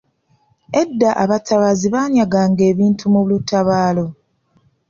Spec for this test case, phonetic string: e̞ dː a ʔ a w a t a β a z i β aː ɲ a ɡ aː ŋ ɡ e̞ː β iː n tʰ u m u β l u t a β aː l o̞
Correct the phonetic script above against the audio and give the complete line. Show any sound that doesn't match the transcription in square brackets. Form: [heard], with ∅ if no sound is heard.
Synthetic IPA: e̞ dː a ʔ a [β] a t a β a z i β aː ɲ a ɡ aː ŋ ɡ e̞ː β iː n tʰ u m u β l u t a β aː l o̞